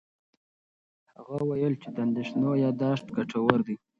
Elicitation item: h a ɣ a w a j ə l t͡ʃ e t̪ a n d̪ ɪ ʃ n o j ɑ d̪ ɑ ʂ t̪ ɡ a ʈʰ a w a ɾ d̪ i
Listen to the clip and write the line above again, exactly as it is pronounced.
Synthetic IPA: h a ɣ a w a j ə l t͡ʃ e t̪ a n d̪ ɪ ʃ n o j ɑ d̪ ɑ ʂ t̪ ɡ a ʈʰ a w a ɾ d̪ i